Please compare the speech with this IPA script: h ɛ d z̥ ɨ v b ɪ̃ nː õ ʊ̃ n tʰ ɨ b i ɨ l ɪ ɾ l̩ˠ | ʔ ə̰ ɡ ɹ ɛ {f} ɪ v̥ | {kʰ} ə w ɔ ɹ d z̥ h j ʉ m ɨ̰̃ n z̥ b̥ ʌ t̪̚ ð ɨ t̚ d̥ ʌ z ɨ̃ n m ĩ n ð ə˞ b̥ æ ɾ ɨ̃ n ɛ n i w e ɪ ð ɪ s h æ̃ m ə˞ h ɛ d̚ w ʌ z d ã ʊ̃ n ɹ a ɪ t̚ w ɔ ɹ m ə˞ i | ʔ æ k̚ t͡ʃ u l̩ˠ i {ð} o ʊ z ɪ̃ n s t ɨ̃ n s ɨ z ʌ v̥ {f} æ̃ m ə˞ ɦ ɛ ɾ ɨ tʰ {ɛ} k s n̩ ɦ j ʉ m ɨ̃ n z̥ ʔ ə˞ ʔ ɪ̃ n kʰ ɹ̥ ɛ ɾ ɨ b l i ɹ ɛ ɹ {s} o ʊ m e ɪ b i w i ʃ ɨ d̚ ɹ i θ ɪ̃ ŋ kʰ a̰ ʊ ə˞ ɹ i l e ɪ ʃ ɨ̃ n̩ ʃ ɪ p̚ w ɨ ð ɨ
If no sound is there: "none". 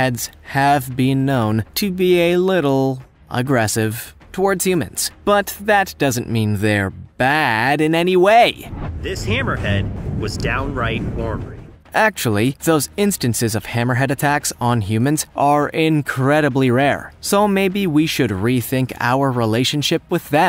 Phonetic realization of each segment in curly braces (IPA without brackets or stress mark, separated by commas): s, tʰ, ð, h, æ, s